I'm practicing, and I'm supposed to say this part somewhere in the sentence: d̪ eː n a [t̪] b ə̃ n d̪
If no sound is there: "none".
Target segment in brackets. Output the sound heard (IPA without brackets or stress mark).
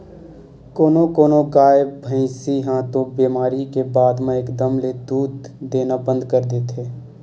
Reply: none